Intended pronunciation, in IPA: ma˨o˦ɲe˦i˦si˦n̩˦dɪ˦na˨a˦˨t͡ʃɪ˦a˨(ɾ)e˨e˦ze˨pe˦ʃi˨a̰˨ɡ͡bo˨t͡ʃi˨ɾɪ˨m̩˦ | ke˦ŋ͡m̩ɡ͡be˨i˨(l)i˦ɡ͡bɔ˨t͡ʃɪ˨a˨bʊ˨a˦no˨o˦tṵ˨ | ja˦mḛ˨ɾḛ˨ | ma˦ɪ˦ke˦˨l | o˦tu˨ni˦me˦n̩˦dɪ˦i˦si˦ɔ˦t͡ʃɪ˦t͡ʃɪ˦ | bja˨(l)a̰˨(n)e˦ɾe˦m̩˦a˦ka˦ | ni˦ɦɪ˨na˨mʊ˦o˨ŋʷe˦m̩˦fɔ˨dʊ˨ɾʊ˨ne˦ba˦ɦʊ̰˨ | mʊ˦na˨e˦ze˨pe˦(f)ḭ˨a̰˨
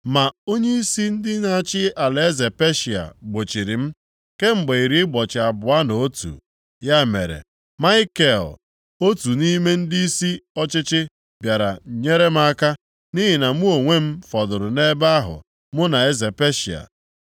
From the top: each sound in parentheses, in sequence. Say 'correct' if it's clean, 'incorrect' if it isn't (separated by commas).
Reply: incorrect, incorrect, incorrect, incorrect, incorrect